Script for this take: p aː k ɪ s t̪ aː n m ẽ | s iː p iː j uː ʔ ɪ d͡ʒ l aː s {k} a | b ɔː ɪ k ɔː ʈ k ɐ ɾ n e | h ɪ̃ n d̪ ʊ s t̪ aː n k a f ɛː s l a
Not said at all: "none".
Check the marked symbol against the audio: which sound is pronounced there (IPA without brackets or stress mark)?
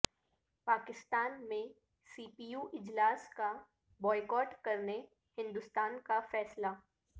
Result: k